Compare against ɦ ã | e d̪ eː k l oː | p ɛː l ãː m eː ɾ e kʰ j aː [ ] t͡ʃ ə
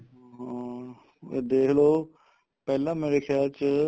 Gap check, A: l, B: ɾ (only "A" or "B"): A